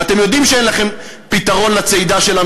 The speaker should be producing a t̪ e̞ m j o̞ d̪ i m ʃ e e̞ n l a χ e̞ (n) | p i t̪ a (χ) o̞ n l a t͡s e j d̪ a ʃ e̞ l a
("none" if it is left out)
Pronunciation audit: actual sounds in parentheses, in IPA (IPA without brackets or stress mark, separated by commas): m, ʁ